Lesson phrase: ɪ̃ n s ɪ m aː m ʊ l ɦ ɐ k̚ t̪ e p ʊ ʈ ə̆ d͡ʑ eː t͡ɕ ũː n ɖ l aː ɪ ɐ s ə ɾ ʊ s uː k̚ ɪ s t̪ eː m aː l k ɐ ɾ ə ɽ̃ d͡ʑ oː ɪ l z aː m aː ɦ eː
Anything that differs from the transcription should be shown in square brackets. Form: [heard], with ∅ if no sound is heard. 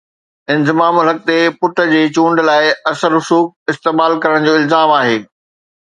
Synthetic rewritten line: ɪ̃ n [z] ɪ m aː m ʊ l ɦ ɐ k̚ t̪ e p ʊ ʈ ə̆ d͡ʑ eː t͡ɕ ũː [ɳ] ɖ l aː ɪ ɐ s ə ɾ ʊ s uː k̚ ɪ s t̪ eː m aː l k ɐ ɾ ə ɽ̃ d͡ʑ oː ɪ l z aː m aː ɦ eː